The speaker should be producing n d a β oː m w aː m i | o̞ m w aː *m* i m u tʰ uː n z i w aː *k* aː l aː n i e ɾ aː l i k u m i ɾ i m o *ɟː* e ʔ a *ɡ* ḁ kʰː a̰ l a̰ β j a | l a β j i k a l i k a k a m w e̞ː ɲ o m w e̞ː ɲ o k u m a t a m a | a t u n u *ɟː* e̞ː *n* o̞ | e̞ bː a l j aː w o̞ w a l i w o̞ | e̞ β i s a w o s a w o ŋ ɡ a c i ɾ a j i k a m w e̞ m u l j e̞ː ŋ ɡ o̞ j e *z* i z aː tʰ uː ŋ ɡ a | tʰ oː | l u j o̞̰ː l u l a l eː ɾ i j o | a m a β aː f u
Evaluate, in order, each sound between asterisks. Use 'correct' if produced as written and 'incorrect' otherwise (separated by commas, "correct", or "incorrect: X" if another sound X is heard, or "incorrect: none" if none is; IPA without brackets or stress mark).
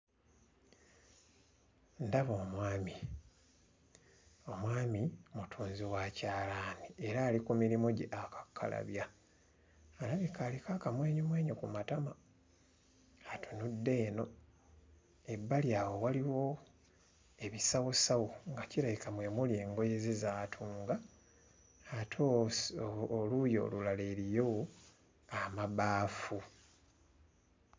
correct, incorrect: c, incorrect: ɟ, incorrect: k, incorrect: dː, correct, correct